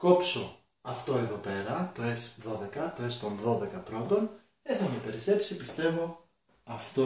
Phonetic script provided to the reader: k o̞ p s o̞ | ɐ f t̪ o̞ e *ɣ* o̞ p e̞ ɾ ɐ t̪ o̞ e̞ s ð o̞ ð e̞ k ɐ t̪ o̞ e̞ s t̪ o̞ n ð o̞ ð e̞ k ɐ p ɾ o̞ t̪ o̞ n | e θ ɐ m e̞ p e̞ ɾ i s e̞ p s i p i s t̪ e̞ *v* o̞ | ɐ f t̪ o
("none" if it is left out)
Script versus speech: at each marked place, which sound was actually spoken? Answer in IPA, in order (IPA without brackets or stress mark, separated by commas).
ð, v